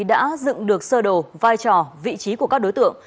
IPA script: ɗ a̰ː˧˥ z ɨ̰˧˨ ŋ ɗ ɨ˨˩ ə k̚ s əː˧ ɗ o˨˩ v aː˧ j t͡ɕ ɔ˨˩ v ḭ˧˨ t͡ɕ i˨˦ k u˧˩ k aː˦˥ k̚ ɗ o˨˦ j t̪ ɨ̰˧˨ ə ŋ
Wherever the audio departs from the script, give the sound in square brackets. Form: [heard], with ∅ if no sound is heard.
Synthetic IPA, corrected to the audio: ɗ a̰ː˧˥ z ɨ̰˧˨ ŋ ɗ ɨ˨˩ ə k̚ s əː˧ ɗ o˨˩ v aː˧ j t͡ɕ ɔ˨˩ v ḭ˧˨ t͡ɕ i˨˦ k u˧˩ k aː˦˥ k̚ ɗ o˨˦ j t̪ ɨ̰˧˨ ə ŋ